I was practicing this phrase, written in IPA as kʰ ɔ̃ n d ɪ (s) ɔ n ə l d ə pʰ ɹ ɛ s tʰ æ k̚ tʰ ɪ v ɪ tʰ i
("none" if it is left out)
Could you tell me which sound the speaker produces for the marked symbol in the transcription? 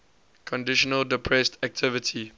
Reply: ʃ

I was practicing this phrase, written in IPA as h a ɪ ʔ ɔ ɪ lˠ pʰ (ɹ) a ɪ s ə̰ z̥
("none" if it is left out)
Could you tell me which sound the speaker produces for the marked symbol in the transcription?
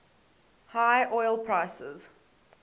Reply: ɹ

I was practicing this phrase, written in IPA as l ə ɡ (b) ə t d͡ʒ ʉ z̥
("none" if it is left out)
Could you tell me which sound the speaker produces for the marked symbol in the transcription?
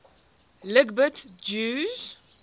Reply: b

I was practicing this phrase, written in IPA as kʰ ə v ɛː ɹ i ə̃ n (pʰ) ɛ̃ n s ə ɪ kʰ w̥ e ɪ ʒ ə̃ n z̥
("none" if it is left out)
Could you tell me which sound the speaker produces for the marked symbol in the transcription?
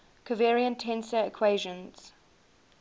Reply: tʰ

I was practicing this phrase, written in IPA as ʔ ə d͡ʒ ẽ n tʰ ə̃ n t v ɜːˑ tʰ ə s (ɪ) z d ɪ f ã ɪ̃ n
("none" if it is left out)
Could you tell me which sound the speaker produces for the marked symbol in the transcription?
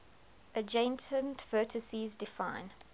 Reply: i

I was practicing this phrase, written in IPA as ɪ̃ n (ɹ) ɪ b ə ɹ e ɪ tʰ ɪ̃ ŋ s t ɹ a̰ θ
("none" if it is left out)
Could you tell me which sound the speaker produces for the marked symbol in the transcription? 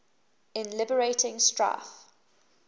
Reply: l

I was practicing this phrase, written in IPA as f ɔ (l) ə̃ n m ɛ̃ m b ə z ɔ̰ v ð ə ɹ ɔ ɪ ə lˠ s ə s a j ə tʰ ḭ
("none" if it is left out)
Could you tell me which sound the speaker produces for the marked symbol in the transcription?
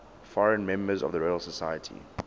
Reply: ɹ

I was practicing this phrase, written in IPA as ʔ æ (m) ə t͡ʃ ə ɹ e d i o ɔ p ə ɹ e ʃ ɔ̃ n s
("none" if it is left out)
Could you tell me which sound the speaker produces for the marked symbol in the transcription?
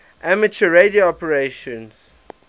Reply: m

